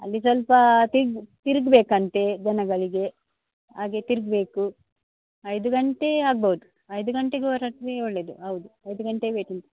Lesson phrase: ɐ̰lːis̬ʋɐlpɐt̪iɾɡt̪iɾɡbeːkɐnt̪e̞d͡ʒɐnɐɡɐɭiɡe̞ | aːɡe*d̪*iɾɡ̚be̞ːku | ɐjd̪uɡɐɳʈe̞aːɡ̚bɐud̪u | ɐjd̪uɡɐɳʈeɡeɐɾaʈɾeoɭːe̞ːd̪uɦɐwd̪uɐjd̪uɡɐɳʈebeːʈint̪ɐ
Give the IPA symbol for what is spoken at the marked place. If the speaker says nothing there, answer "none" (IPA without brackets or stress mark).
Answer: t̪